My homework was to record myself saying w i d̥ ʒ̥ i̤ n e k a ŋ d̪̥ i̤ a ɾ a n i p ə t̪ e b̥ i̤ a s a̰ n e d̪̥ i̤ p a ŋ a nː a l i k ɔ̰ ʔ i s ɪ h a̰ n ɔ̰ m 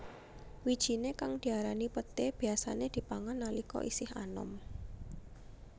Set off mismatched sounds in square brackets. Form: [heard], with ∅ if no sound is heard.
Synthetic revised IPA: w i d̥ ʒ̥ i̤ n e k a ŋ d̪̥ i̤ a ɾ a n i p ə t̪ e b̥ i̤ a s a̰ n e d̪̥ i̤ p a ŋ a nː a l i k ɔ̰ ʔ i s ɪ h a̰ n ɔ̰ m